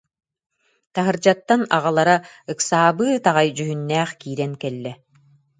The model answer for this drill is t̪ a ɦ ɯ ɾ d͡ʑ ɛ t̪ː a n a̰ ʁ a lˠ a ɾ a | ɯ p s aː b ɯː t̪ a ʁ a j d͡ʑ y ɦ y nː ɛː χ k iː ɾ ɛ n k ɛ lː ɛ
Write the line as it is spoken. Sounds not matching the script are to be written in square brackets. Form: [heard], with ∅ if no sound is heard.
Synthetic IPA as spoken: t̪ a ɦ ɯ ɾ d͡ʑ [a] t̪ː a n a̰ ʁ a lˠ a ɾ a | ɯ [k] s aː b ɯː t̪ a ʁ a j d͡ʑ y ɦ y nː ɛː χ k iː ɾ ɛ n k ɛ lː ɛ